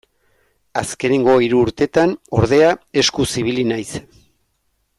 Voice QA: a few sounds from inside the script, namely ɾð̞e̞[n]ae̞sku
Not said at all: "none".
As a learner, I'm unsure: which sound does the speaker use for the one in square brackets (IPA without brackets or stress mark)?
none